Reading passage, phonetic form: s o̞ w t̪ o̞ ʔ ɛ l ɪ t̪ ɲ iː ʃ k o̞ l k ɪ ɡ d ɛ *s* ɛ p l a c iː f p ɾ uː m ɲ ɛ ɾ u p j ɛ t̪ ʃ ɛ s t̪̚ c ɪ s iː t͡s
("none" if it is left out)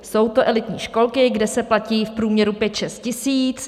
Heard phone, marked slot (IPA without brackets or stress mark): s